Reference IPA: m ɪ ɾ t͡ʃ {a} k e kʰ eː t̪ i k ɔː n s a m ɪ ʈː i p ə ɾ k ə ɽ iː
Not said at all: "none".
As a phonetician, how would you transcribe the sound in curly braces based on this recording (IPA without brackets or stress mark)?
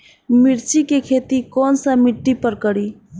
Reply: i